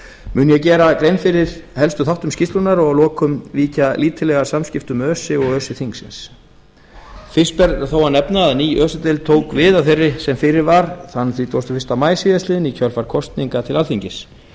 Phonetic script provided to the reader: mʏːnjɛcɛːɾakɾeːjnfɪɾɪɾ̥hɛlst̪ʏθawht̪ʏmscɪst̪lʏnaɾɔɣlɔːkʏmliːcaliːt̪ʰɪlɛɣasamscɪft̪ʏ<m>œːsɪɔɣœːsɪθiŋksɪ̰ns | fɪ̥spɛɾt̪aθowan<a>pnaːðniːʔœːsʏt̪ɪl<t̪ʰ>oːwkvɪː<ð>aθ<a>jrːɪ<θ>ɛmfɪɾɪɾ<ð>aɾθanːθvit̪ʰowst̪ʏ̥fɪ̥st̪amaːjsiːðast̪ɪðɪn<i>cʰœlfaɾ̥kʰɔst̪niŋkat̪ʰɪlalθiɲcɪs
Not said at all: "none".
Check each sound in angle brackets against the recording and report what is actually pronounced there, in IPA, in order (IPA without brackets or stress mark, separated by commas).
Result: m, ɛ, t̪ʰ, ð, e, s, v, i